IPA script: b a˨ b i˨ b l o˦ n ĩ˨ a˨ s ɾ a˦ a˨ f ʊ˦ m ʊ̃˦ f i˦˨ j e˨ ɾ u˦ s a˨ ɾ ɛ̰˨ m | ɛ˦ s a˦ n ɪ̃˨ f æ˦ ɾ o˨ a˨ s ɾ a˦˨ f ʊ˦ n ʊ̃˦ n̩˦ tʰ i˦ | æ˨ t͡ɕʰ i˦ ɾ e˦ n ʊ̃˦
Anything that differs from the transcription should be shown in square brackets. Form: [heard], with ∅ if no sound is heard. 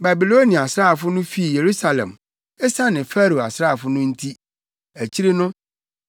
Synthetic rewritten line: b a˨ b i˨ [∅] l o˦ n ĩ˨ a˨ s ɾ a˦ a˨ f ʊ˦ [n] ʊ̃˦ f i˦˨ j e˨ ɾ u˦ s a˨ [l] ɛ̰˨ m | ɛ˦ s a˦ n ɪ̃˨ f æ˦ ɾ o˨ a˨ s ɾ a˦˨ f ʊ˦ n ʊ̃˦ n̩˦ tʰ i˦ | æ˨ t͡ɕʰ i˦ ɾ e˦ n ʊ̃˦